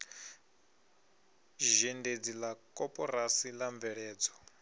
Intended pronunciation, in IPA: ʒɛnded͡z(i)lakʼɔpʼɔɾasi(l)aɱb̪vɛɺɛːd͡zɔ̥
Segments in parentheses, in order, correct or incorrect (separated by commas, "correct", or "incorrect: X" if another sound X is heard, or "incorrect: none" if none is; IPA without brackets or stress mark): correct, correct